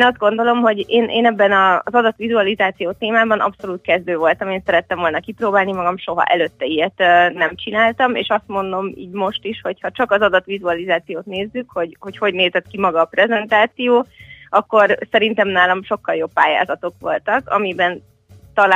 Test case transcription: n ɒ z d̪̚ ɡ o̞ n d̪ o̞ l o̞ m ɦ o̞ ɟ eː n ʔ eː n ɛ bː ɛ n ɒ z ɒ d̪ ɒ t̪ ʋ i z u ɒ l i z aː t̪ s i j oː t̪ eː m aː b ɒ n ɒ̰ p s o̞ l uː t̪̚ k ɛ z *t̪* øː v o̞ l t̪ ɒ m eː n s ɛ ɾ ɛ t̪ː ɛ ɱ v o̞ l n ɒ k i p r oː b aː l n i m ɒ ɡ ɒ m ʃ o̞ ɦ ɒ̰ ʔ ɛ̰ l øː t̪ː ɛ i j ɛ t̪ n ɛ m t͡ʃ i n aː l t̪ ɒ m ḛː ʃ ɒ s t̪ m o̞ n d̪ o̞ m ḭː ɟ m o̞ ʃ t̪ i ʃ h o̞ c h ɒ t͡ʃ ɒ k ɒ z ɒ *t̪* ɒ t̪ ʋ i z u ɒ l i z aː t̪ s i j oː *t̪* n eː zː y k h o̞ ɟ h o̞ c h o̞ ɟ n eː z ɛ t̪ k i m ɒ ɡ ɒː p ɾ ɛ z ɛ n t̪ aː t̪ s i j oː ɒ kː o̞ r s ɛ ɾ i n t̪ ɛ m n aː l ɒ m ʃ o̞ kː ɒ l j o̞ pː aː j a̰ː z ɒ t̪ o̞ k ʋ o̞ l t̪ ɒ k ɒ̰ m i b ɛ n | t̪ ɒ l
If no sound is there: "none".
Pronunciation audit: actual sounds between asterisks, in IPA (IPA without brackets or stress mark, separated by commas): d̪, d̪, t̪